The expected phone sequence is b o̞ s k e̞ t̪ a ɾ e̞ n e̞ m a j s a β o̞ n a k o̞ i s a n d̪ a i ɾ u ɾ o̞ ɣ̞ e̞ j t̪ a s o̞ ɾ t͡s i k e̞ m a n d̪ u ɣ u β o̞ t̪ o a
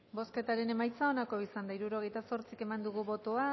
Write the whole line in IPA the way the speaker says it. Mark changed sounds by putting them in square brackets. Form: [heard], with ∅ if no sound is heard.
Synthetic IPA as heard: b o̞ s k e̞ t̪ a ɾ e̞ n e̞ m a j [t͡s] a [∅] o̞ n a k o̞ i s a n d̪ a i ɾ u ɾ o̞ ɣ̞ e̞ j t̪ a s o̞ ɾ t͡s i k e̞ m a n d̪ u ɣ u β o̞ t̪ o a